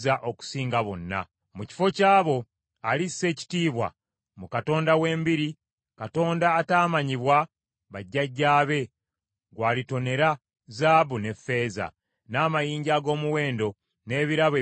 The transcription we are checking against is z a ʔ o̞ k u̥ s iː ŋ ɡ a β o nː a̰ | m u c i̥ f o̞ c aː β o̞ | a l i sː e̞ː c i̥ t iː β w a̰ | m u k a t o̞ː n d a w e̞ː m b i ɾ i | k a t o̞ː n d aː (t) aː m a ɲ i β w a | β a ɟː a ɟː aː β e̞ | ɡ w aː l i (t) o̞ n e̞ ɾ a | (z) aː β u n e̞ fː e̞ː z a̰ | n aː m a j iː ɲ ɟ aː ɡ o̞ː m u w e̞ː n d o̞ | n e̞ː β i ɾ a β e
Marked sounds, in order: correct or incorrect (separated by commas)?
correct, correct, correct